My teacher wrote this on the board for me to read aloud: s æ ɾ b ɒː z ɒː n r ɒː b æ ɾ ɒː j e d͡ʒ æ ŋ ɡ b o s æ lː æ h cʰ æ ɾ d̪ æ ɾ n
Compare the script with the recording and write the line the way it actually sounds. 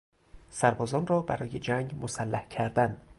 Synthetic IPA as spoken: s æ ɾ b ɒː z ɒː n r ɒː b æ ɾ ɒː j e d͡ʒ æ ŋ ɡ m o s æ lː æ h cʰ æ ɾ d̪ æ n